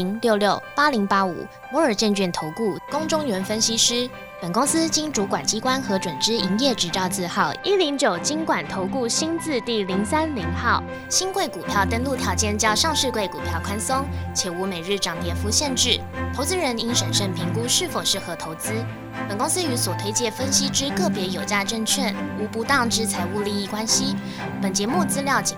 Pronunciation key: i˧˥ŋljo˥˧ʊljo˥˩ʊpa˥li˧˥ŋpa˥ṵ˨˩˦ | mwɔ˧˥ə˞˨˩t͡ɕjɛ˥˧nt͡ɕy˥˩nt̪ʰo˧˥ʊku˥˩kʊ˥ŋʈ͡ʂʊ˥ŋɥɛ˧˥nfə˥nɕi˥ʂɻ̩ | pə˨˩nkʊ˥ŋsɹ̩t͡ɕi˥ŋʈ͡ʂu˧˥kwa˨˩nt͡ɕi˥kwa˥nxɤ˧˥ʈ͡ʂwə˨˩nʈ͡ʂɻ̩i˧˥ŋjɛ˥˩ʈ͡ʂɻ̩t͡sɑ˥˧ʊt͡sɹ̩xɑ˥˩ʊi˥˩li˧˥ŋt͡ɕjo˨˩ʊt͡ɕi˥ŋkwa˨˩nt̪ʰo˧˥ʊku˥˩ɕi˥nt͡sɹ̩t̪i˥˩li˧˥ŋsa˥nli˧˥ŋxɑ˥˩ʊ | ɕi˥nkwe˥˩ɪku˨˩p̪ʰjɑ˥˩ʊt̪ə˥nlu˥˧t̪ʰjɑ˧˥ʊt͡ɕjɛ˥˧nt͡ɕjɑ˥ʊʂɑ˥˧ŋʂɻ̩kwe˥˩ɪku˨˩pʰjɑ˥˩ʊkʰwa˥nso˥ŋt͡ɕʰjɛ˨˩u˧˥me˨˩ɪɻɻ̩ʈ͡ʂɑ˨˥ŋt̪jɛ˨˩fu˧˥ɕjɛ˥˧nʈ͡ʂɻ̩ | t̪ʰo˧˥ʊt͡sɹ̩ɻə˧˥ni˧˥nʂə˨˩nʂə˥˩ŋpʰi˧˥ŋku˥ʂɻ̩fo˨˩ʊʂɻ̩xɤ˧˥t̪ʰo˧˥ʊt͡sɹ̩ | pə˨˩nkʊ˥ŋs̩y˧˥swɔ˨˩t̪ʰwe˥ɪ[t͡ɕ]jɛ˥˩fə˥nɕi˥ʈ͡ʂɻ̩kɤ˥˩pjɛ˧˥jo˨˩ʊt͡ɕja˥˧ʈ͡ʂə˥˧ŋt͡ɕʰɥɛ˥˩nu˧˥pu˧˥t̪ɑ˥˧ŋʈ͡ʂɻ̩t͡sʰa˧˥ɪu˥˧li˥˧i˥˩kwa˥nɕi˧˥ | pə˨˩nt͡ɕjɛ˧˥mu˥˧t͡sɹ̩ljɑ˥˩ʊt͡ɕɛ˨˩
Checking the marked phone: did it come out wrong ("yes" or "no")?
no